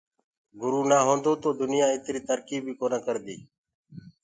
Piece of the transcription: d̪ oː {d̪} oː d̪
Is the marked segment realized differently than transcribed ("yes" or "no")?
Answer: yes